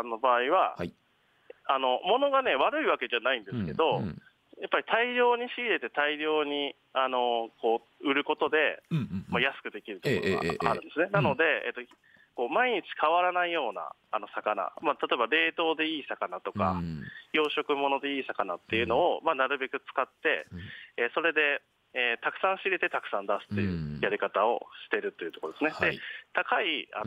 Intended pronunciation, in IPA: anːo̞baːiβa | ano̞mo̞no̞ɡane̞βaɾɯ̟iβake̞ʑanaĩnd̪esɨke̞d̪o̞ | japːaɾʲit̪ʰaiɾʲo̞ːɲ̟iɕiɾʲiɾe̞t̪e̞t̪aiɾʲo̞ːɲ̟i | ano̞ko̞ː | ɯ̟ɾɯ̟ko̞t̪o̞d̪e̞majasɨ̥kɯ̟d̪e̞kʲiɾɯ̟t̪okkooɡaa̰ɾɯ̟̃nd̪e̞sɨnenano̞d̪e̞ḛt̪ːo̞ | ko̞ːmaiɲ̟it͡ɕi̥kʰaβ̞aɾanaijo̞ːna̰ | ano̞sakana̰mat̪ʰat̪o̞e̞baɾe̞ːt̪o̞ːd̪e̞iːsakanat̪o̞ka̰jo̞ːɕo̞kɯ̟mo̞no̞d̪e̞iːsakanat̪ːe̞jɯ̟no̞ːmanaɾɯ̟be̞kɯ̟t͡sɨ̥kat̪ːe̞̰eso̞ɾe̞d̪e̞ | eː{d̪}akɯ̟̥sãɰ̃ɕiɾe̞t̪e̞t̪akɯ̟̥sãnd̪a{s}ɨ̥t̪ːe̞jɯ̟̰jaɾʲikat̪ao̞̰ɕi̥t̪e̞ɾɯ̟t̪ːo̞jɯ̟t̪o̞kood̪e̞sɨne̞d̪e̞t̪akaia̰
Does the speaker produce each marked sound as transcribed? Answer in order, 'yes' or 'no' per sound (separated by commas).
no, yes